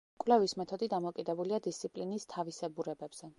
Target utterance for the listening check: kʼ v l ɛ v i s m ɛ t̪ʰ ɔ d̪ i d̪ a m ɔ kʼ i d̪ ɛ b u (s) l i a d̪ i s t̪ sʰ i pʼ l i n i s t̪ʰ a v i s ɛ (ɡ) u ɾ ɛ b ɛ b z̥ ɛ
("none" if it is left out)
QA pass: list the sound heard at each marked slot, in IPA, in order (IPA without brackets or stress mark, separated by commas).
none, b